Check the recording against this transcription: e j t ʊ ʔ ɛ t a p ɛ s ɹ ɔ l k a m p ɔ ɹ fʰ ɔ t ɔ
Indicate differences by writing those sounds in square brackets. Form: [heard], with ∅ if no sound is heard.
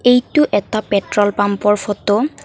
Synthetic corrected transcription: e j t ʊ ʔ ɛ t a p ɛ [t] ɹ ɔ l [p] a m p ɔ ɹ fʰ ɔ t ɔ